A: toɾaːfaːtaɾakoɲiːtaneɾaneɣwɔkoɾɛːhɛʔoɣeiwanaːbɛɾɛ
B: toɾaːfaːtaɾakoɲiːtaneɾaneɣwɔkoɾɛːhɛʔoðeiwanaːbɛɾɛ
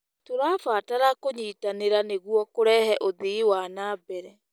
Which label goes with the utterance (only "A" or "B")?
B